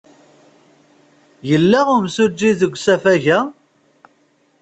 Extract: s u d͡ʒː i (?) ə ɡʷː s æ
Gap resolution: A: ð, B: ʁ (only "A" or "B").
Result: A